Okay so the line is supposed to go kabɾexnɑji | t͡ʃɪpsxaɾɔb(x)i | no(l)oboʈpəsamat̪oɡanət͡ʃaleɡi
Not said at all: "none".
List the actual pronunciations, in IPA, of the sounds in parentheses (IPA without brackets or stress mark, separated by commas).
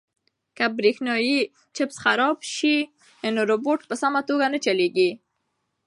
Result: ʃ, ɾ